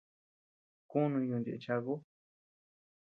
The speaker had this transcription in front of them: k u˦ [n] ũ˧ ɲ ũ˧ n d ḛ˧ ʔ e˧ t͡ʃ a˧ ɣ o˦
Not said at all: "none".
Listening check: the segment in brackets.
n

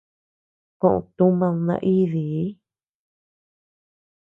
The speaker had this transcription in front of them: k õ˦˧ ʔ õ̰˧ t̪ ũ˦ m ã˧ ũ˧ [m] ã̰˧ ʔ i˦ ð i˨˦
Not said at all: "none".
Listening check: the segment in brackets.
n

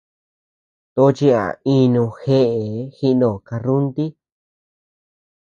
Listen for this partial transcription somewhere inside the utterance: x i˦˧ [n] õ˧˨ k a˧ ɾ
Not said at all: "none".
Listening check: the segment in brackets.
n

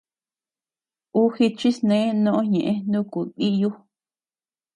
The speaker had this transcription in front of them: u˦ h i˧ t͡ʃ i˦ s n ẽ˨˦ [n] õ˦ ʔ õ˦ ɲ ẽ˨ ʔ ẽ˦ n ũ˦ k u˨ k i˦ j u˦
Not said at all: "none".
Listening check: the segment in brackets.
n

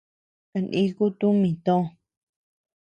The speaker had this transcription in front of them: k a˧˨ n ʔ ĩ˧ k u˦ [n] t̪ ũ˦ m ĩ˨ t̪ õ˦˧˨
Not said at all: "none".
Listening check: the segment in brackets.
none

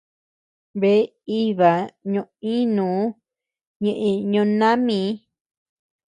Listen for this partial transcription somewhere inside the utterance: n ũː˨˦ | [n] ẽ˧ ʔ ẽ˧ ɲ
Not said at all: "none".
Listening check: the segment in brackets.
ɲ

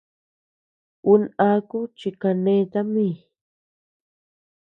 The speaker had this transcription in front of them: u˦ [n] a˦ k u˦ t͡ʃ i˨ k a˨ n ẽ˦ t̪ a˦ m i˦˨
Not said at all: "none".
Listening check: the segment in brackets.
n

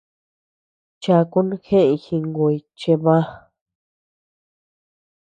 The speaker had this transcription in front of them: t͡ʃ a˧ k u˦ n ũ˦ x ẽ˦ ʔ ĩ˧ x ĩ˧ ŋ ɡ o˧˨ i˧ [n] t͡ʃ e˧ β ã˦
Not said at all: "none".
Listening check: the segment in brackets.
none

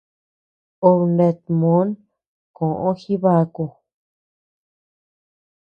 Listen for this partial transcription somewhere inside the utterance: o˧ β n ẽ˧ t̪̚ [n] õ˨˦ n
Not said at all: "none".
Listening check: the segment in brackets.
m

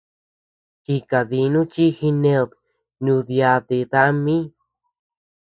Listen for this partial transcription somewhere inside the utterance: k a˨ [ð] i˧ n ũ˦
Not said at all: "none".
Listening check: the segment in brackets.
ð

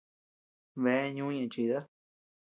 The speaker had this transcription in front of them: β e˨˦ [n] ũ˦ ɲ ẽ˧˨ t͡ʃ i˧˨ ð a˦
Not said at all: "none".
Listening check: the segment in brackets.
ɲ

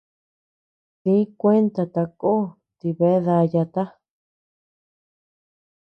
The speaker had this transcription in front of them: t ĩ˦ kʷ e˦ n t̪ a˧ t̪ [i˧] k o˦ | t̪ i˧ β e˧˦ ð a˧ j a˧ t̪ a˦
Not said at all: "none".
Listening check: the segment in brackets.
a˧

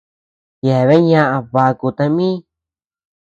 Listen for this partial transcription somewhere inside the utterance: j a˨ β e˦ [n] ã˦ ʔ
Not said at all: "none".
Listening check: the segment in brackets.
ɲ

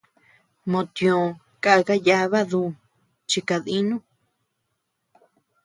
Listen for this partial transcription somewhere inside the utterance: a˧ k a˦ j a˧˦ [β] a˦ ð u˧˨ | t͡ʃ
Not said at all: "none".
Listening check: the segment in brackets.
β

